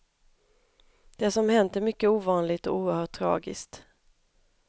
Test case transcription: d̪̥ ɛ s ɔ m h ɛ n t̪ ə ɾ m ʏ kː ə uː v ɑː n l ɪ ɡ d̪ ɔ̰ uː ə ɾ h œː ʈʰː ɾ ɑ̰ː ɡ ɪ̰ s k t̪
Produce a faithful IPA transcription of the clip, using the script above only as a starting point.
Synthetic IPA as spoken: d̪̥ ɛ s ɔ m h ɛ n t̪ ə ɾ m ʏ kː ə uː v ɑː n l ɪ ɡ t̪ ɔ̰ uː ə ɾ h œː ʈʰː ɾ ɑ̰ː ɡ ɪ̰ s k t̪